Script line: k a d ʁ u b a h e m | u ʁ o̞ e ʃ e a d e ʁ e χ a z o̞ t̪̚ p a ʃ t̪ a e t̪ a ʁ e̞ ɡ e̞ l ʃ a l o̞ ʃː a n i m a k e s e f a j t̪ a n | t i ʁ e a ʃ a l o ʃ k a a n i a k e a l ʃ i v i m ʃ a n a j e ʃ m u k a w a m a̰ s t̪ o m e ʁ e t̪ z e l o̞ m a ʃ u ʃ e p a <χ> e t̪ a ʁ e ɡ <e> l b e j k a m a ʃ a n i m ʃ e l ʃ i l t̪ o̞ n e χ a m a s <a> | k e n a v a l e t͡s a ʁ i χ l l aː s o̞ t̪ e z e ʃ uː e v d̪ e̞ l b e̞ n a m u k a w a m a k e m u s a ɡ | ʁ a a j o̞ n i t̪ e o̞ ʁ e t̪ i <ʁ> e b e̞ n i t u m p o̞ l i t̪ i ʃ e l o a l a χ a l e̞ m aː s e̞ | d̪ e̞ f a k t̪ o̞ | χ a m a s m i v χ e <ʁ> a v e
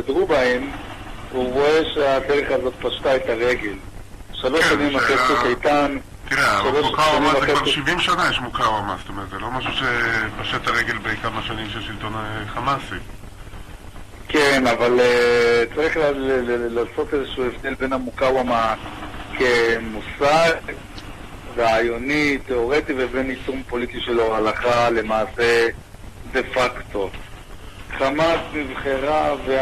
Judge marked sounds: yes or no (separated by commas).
no, yes, no, no, yes